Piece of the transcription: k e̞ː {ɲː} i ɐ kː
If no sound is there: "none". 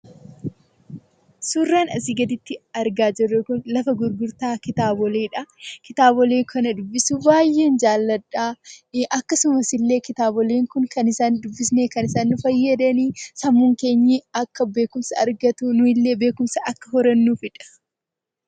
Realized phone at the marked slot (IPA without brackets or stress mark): ɲː